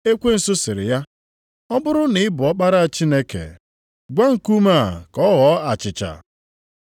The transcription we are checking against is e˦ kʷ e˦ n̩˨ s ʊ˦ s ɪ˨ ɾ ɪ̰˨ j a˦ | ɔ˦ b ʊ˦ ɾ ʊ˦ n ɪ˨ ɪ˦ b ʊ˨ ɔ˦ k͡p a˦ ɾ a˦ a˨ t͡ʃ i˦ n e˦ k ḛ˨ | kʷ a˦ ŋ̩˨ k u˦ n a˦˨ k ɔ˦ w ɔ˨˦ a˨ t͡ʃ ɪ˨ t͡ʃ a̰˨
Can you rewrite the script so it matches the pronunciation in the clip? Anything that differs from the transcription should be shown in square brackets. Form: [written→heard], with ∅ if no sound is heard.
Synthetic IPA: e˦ kʷ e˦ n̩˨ s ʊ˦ s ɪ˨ ɾ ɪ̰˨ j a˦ | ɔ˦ b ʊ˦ ɾ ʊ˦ n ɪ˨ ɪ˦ b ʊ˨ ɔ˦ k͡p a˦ ɾ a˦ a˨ t͡ʃ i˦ n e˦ k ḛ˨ | [kʷ→ɡʷ] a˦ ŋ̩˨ k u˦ [n→m] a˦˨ k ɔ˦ [w→ɣ] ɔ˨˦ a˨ t͡ʃ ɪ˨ t͡ʃ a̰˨